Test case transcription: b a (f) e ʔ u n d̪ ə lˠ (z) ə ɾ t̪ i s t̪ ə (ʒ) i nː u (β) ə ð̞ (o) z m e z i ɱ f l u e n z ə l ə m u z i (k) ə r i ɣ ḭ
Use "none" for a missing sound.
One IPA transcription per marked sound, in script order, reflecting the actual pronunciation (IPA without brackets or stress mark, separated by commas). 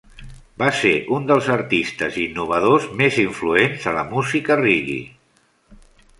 s, z, z, β, o, k